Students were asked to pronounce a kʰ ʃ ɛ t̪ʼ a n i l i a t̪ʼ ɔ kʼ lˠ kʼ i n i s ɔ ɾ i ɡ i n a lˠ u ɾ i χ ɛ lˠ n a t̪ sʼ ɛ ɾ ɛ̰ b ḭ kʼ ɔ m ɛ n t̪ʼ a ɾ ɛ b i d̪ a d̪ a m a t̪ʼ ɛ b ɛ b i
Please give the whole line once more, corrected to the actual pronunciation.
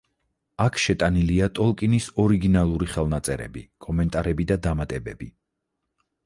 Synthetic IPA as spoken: a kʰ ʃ ɛ t̪ʼ a n i l i a t̪ʼ ɔ lˠ kʼ i n i s ɔ ɾ i ɡ i n a lˠ u ɾ i χ ɛ lˠ n a t̪ sʼ ɛ ɾ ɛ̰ b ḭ kʼ ɔ m ɛ n t̪ʼ a ɾ ɛ b i d̪ a d̪ a m a t̪ʼ ɛ b ɛ b i